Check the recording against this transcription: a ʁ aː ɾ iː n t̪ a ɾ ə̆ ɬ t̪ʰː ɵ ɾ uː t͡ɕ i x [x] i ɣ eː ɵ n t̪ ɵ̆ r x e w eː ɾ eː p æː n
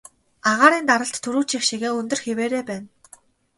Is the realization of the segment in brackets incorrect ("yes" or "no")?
yes